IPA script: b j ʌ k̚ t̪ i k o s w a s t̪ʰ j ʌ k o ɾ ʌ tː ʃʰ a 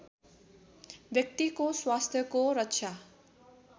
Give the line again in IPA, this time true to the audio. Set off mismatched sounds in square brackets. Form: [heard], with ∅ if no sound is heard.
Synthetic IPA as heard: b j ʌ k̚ t̪ i k o s w a s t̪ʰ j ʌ k o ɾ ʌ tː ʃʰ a